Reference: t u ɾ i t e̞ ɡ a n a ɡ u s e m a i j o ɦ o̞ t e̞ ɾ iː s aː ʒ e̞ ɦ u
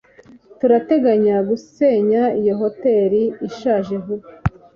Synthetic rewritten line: t u ɾ a t e̞ ɡ a ɲ a ɡ u s e ɲ a i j o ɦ o̞ t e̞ ɾ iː ʃ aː ʒ e̞ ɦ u